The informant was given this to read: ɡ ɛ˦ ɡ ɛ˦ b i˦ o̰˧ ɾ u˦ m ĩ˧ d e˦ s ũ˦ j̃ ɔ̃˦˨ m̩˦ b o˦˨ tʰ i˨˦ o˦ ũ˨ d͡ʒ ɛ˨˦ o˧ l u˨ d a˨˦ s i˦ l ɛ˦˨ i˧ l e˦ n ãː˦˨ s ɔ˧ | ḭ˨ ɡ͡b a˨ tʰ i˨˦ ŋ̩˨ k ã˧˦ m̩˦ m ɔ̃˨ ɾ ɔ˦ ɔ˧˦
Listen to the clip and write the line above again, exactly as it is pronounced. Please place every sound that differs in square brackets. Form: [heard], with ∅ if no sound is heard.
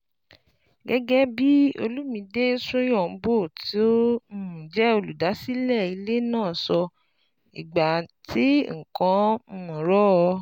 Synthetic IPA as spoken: ɡ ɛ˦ ɡ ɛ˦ b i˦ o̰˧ [l] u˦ m ĩ˧ d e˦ s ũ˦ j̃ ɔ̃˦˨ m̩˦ b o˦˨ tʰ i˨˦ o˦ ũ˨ d͡ʒ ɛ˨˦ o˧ l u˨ d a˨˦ s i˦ l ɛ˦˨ i˧ l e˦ n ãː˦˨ s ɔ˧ | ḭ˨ ɡ͡b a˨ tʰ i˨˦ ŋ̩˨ k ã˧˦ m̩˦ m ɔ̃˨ ɾ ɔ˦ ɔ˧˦